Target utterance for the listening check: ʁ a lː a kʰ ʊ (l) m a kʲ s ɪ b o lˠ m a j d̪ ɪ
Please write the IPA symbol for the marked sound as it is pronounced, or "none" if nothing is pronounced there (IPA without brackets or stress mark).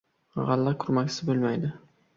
ɾ